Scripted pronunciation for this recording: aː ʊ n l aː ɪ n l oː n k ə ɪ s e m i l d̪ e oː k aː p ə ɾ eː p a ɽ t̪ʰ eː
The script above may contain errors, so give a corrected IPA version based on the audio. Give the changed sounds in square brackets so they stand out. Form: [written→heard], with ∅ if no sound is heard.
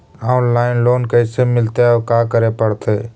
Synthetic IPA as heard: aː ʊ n l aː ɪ n l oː n k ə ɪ s e m [i→ɪ] l [d̪→t̪] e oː k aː [p→k] ə ɾ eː p [a→ə] ɽ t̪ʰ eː